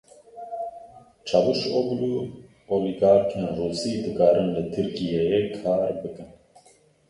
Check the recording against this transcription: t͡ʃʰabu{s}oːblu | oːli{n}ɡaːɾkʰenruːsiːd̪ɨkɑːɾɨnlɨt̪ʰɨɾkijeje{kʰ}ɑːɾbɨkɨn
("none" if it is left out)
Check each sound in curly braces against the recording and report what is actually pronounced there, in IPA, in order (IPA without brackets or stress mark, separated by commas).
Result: ʃ, none, kʰ